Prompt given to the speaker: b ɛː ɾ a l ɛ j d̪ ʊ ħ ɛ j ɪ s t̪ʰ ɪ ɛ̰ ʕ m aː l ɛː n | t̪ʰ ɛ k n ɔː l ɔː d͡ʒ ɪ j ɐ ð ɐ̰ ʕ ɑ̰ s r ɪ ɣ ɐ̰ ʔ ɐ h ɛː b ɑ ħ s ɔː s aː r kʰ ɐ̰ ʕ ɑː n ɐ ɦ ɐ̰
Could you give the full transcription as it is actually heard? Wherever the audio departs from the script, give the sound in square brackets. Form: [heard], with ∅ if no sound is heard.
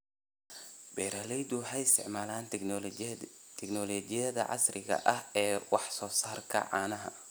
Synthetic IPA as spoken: b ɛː ɾ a l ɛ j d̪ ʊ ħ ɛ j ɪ s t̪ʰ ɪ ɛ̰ ʕ m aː l [aː] n | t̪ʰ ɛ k n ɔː l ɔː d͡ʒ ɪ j ɐ ð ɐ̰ ʕ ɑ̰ s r ɪ ɣ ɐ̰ ʔ ɐ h ɛː [w] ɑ ħ s ɔː s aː r kʰ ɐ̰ ʕ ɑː n ɐ ɦ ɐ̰